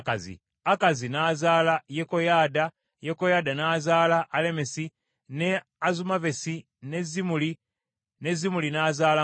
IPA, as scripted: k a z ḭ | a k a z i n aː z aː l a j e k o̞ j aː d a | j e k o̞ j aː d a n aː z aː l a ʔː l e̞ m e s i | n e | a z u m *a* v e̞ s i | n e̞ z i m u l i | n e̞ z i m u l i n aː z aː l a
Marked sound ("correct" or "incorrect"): correct